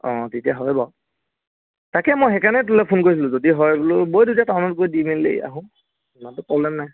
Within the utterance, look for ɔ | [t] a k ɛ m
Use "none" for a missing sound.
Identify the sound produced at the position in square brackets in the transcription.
t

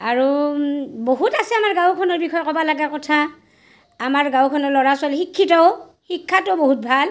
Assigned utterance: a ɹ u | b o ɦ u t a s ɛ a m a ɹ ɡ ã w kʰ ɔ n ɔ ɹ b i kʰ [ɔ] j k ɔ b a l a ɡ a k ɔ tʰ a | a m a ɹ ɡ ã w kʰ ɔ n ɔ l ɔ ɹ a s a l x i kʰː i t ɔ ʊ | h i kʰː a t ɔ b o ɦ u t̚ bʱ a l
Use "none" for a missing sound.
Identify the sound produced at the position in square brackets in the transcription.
ɔ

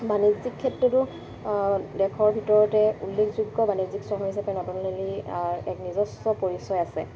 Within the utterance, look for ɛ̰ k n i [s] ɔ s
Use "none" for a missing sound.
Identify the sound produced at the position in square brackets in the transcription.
z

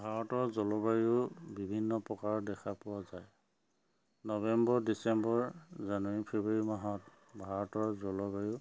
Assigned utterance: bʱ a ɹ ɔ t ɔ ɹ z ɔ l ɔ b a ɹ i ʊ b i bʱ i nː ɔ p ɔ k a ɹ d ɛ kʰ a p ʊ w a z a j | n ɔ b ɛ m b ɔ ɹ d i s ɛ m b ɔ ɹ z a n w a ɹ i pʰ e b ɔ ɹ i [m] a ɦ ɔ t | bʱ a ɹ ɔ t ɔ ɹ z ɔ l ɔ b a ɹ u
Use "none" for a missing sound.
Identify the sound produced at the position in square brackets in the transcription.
m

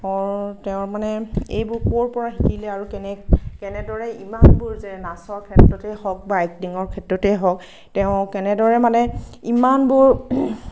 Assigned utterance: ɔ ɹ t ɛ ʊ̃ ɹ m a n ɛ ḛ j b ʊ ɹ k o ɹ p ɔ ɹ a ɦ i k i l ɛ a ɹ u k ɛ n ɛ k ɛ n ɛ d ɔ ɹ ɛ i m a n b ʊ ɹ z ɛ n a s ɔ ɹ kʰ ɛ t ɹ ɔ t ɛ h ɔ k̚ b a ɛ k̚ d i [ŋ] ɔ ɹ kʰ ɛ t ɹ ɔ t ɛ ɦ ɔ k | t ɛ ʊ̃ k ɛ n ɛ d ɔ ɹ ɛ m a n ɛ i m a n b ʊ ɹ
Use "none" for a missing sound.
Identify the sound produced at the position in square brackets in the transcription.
ŋ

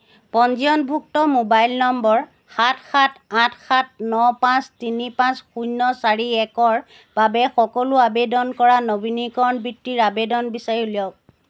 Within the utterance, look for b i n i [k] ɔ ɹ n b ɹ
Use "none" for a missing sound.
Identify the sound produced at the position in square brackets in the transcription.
k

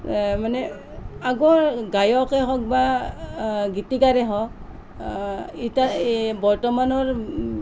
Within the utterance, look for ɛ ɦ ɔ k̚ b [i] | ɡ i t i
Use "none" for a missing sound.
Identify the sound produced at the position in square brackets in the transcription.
a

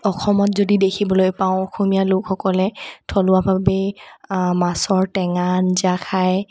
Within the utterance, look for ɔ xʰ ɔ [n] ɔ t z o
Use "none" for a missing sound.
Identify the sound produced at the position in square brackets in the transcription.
m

